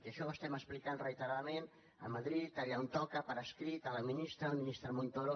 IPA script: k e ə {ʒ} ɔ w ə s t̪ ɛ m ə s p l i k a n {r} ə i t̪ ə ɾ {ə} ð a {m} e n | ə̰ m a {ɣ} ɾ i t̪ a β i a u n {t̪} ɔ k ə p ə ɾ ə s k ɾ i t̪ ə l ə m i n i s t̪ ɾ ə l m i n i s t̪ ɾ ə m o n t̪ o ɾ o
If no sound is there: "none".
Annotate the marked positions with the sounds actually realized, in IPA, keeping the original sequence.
ʃ, r, a, m, ð, t̪

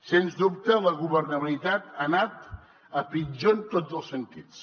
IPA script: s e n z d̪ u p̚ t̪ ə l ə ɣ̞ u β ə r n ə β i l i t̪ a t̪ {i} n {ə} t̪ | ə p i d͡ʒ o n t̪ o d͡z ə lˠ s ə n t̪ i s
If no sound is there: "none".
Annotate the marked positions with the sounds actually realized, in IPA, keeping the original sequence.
a, a

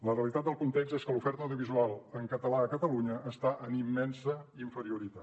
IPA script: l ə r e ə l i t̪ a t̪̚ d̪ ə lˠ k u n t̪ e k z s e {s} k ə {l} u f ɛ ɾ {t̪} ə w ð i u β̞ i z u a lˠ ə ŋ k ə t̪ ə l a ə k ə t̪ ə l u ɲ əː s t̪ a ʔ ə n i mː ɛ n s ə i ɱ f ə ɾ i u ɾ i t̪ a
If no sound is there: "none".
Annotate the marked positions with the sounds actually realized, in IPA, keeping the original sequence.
s, l, t̪

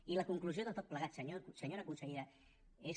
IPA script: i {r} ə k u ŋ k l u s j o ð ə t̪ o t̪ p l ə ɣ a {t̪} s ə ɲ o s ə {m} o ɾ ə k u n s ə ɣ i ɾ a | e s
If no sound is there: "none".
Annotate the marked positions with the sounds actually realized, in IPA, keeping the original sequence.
l, t̪, ɲ

